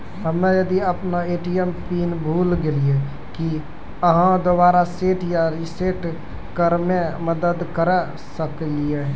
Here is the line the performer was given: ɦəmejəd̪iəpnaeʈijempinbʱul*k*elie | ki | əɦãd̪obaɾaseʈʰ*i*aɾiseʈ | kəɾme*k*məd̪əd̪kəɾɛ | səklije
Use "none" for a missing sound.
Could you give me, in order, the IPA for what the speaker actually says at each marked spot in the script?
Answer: ɡ, j, none

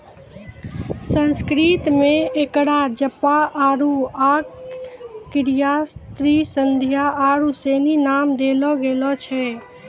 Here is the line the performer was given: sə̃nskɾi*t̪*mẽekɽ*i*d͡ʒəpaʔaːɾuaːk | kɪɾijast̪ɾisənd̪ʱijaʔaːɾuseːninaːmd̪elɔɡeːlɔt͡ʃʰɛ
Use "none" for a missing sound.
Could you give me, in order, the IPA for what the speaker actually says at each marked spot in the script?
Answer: t̪, a

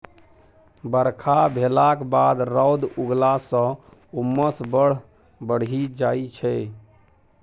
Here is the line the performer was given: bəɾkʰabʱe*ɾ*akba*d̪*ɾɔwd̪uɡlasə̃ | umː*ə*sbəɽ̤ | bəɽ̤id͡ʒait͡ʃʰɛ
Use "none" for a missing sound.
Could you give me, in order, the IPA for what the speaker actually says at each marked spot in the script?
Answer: l, d̪, ə

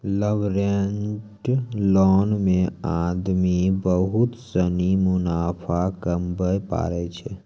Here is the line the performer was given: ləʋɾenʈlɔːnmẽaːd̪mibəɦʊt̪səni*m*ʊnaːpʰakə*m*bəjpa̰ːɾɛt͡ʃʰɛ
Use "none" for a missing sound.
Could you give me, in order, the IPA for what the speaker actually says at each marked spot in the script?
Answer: m, m

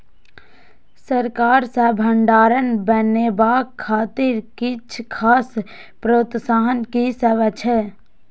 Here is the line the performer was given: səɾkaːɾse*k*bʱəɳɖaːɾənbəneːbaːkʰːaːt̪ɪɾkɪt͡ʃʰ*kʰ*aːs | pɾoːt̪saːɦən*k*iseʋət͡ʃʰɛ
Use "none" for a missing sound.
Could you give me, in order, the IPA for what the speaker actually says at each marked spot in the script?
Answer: none, kʰ, k

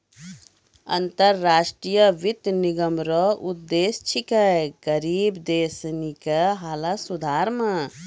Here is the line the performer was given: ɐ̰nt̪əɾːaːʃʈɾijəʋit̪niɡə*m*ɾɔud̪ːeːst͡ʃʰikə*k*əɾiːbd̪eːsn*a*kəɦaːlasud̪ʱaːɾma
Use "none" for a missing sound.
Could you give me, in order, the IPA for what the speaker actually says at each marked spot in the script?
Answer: m, ɡ, i

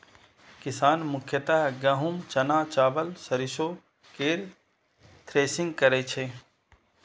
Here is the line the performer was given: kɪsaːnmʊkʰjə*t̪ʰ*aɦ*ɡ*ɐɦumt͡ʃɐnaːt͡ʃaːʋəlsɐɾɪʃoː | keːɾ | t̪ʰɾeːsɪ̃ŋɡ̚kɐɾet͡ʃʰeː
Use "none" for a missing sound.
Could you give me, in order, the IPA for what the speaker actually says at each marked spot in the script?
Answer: t̪, ɡ

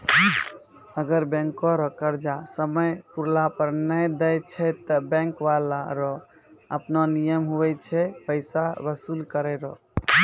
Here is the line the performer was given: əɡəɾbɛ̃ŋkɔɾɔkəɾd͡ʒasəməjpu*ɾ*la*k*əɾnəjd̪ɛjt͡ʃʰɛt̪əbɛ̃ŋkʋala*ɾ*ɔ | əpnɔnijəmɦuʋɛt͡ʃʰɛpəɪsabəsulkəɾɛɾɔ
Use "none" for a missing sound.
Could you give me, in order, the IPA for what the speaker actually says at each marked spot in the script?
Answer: ɾ, p, ɾ

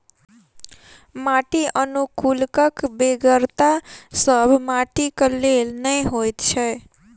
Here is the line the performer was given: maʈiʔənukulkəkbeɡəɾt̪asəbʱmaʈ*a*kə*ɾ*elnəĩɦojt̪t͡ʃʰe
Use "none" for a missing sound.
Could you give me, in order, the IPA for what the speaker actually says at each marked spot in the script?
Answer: i, l

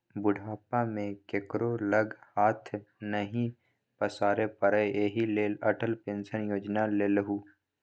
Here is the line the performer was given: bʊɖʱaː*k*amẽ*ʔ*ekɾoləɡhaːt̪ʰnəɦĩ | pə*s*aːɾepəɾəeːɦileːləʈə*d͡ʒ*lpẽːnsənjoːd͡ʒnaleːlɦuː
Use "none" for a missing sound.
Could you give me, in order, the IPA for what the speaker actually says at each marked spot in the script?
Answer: p, k, s, none

